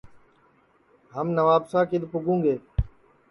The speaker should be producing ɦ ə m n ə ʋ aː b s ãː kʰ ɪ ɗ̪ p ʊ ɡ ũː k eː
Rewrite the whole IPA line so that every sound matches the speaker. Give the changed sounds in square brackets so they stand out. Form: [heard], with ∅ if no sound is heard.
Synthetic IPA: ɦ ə m n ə ʋ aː b s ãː [k] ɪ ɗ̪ p ʊ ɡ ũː [ɡ] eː